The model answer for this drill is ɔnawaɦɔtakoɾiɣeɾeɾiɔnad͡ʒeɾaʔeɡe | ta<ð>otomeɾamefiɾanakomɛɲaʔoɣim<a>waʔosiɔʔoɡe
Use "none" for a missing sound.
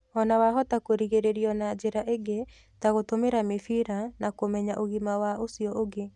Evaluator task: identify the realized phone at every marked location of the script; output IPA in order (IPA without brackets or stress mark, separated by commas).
ɣ, a